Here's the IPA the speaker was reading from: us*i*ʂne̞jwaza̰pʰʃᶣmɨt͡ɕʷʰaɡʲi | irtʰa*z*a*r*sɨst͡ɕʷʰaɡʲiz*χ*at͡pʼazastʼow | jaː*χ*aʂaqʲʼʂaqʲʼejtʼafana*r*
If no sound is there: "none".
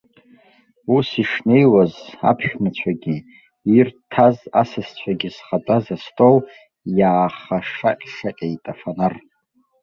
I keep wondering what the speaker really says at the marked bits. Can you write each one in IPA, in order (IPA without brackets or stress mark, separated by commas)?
i, z, none, χ, χ, r